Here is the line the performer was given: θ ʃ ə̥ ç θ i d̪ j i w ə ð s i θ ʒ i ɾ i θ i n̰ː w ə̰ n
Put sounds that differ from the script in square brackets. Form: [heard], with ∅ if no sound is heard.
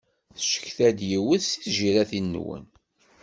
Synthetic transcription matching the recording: θ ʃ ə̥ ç θ [æ] d̪ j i w ə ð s i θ ʒ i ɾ [æ] θ i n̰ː w ə̰ n

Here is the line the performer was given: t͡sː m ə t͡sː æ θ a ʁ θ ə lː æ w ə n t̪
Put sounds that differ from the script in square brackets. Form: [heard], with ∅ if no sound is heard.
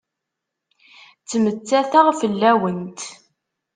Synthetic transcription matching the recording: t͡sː m ə t͡sː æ θ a ʁ [f] ə lː æ w ə n t̪

